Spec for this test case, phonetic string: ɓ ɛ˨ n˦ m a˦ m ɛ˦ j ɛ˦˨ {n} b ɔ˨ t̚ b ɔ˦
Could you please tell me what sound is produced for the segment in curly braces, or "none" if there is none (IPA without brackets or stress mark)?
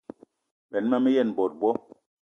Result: n